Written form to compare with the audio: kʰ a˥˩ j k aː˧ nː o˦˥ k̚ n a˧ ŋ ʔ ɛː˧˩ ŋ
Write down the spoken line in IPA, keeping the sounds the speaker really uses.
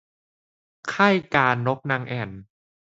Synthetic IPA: kʰ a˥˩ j k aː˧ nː o˦˥ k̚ n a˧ ŋ ʔ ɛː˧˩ n